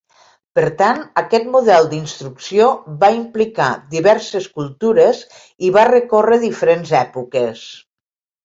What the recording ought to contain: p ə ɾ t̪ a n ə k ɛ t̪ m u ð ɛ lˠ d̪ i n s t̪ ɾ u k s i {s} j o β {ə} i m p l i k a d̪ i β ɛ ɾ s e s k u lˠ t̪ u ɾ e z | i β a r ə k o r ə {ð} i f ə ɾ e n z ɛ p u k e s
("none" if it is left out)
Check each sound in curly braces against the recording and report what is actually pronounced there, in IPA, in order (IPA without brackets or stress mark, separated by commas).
none, a, ð